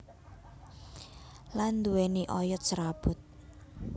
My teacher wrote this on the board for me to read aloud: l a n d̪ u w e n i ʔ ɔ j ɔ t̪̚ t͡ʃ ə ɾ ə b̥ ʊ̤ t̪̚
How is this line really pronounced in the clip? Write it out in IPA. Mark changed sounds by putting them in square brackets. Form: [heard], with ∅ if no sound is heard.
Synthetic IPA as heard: l a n d̪ u w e n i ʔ ɔ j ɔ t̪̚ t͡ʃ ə ɾ [a] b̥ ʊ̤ t̪̚